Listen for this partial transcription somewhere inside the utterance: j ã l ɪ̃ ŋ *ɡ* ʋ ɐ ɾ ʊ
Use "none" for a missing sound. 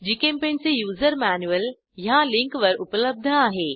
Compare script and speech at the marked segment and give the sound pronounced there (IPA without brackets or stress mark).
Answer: k